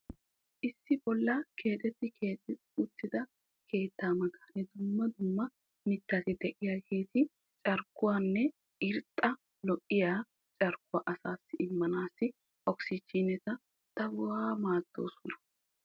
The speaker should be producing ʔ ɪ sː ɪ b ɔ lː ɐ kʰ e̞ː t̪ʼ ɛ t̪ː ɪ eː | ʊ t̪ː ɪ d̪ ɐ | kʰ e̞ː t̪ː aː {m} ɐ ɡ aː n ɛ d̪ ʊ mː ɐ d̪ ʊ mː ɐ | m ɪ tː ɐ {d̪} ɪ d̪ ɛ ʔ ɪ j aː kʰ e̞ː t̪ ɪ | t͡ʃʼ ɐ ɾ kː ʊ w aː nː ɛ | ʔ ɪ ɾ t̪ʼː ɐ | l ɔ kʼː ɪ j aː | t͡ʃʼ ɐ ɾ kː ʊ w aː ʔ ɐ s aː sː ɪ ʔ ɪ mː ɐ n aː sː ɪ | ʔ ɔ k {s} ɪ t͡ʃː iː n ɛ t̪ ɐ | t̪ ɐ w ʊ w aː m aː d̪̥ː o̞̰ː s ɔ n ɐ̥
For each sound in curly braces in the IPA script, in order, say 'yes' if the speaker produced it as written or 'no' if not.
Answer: yes, no, yes

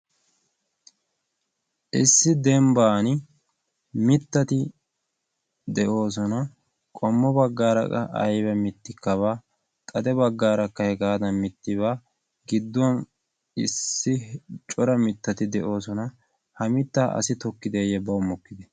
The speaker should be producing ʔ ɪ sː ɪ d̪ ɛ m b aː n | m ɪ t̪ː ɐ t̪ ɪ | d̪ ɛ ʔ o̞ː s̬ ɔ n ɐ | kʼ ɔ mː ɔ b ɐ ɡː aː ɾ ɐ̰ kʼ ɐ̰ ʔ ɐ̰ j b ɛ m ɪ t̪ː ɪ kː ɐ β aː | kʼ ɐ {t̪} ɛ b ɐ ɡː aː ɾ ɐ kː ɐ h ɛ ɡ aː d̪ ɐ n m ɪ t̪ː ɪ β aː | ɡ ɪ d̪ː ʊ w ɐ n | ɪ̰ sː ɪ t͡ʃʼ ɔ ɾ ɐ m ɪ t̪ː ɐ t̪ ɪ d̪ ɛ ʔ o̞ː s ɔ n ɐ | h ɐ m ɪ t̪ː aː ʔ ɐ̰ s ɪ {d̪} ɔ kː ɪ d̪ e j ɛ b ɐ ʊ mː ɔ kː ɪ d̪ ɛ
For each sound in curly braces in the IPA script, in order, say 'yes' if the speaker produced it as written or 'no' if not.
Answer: no, no

